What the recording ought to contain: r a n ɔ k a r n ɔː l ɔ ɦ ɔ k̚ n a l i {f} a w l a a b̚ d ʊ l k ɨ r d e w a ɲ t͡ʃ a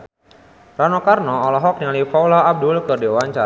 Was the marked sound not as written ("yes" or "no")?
no